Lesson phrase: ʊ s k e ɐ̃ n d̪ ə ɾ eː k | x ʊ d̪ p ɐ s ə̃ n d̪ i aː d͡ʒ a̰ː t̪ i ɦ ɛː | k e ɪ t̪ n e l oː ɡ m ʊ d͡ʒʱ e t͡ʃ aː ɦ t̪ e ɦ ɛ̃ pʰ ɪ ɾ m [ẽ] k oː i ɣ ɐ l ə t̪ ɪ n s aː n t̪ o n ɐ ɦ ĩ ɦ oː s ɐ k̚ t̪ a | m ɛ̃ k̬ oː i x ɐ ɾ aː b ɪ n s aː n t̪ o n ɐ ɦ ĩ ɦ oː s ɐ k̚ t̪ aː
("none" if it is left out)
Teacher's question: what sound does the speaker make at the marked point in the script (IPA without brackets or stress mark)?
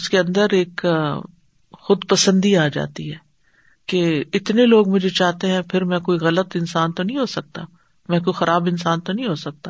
ɛ̃